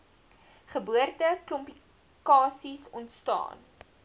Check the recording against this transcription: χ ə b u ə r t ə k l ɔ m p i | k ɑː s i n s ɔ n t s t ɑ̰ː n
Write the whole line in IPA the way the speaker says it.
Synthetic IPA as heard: χ ə b u ə r t ə k l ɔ m p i | k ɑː s i s ɔ n t s t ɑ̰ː n